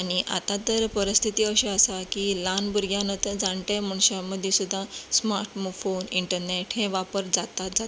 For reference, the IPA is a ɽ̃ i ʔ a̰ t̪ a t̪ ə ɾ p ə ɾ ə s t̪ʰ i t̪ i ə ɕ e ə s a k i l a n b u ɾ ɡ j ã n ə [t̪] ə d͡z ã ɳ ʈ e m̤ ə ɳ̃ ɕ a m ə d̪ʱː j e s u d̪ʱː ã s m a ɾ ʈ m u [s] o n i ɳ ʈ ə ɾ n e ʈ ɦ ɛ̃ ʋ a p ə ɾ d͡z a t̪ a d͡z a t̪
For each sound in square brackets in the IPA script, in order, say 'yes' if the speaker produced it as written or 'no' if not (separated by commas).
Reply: yes, no